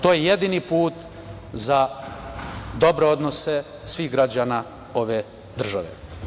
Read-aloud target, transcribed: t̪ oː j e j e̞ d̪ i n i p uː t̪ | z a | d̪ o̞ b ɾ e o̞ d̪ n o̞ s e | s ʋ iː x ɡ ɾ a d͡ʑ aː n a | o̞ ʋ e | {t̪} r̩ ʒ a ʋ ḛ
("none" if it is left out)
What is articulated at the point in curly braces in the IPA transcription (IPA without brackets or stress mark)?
d̪